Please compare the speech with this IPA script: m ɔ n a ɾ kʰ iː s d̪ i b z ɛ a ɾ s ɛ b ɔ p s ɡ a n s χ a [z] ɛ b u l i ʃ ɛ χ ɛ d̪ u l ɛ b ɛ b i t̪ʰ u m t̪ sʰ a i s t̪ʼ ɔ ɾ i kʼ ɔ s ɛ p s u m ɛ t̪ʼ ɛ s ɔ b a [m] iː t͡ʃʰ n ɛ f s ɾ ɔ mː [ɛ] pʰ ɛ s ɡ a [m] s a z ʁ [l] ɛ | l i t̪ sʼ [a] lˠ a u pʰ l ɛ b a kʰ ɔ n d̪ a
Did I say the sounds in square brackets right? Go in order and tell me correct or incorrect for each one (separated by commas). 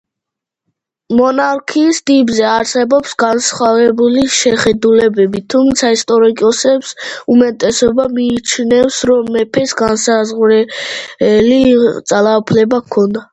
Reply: incorrect, correct, correct, incorrect, incorrect, correct